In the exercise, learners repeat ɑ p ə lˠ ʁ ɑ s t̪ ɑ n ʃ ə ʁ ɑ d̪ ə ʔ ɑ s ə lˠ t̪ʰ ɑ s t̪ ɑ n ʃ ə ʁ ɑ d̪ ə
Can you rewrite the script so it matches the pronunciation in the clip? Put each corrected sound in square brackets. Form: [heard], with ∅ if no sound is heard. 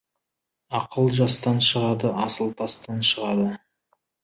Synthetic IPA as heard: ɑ [q] ə lˠ [ʒ] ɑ s t̪ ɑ n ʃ ə ʁ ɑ d̪ ə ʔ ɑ s ə lˠ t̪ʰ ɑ s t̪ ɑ n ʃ ə ʁ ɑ d̪ ə